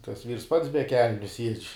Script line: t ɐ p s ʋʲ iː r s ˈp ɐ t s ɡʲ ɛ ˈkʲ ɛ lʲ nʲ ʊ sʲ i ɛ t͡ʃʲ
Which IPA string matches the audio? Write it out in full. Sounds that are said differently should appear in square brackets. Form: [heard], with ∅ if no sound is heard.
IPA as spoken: t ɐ [∅] s ʋʲ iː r s ˈp ɐ t s [bʲ] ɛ ˈkʲ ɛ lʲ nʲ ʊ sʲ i ɛ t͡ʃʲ